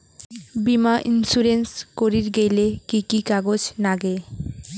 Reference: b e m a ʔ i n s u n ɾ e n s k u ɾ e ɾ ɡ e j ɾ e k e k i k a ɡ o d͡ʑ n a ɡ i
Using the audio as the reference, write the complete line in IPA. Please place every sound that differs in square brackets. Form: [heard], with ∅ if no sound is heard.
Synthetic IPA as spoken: b [i] m a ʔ i n s u [∅] ɾ e n s k [o] ɾ [i] ɾ ɡ e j [l] e k [i] k i k a ɡ o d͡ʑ n a ɡ [e]